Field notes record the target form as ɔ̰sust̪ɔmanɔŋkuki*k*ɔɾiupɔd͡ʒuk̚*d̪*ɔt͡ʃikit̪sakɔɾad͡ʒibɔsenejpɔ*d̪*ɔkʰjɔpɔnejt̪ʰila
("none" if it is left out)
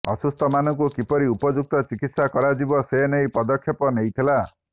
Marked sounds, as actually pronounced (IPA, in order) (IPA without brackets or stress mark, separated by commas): p, t̪, d̪